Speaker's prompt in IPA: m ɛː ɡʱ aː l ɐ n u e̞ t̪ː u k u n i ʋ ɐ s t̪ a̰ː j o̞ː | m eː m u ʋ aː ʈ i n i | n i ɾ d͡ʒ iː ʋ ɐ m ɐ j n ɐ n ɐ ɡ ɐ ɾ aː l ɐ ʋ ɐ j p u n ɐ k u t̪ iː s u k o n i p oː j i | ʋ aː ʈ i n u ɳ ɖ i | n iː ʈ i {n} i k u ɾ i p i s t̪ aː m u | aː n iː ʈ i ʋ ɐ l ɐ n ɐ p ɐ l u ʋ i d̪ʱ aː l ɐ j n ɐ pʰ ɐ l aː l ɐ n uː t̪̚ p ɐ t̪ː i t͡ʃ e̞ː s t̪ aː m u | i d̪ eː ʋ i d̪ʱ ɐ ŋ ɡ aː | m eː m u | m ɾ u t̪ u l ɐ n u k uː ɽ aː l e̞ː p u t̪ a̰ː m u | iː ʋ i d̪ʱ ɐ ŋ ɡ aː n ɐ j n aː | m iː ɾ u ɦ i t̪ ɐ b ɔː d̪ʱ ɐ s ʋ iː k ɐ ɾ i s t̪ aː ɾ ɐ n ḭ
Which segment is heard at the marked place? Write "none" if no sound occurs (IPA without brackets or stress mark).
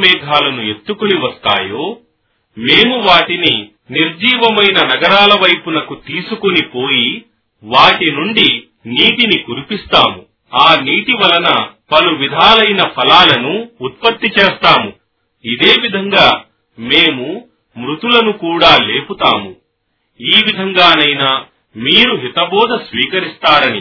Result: n